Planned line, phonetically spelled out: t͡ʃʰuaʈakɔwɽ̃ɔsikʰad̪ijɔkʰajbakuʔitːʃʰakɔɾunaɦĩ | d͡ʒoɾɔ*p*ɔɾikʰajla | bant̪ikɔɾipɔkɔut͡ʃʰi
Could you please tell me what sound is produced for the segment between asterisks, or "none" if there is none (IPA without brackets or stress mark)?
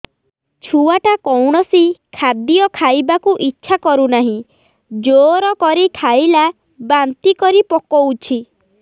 k